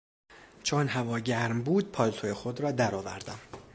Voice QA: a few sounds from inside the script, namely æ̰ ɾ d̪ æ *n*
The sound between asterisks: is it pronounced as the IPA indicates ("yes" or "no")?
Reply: no